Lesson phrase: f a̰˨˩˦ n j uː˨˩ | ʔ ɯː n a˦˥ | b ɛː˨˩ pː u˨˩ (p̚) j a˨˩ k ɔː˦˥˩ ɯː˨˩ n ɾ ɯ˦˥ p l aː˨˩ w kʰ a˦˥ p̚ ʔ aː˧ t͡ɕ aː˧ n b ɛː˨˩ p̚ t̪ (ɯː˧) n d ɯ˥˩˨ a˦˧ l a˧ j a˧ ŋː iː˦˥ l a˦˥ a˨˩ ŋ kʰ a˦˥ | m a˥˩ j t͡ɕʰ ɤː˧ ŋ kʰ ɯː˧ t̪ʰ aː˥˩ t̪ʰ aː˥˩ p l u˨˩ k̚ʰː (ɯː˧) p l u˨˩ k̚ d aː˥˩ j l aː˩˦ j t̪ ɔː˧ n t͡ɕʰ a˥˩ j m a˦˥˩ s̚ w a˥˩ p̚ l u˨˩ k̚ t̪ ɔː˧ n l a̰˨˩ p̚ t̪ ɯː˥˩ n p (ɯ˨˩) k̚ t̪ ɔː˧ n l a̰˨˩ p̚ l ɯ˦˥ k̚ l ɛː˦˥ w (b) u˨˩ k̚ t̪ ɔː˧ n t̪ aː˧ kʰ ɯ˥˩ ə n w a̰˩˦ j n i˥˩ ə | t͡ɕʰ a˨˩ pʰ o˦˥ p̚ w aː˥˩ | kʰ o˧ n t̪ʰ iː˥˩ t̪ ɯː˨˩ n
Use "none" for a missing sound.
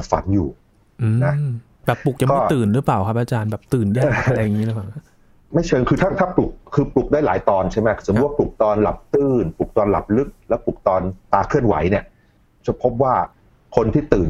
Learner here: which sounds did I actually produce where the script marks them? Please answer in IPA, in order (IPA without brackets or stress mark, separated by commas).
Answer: k̚, ɯː˨˩, ɯː˧, u˨˩, p